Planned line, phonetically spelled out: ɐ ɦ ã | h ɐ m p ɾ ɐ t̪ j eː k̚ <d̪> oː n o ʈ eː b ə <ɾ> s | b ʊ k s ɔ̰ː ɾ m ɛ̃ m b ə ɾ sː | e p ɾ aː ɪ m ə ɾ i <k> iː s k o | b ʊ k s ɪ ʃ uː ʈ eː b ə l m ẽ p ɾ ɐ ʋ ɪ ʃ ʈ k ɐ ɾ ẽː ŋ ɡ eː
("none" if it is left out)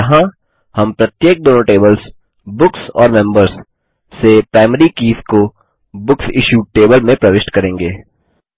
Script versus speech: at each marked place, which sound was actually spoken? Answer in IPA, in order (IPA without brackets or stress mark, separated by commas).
d̪, l, k